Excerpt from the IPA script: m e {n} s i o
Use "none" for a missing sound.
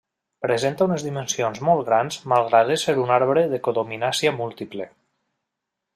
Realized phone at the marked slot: n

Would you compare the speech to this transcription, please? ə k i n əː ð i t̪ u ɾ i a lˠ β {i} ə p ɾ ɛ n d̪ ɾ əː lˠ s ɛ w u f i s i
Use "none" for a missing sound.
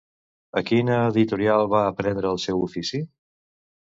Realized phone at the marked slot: a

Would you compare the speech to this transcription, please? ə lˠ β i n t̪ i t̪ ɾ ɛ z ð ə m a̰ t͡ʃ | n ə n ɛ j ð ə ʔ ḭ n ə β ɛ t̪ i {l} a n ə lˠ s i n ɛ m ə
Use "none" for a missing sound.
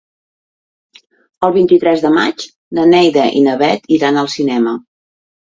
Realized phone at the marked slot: ɾ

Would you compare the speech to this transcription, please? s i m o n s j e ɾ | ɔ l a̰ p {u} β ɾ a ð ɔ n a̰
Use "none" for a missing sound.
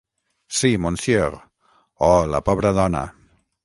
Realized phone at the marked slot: ɔ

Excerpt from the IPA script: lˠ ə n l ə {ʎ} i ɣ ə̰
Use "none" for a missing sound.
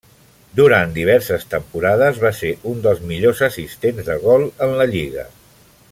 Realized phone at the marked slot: ʎ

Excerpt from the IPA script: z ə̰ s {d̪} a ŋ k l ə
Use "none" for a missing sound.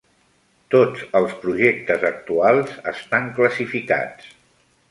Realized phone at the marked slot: t̪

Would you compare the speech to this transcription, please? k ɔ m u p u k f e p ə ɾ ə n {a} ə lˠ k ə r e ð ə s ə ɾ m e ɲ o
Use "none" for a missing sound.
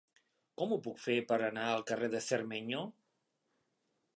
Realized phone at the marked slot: a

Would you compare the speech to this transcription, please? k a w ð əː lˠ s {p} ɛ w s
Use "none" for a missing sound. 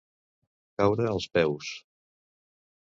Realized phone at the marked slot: p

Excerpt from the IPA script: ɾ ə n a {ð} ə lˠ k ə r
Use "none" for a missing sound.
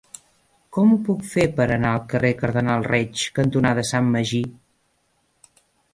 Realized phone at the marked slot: none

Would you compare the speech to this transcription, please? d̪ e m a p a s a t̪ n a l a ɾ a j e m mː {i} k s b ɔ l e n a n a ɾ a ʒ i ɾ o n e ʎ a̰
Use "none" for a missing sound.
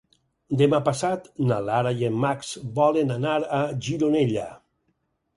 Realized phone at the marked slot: a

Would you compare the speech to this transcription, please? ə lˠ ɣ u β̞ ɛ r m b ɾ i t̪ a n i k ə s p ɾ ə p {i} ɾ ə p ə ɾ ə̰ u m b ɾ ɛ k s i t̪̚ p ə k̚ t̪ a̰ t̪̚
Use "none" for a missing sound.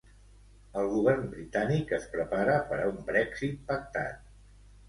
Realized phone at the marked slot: a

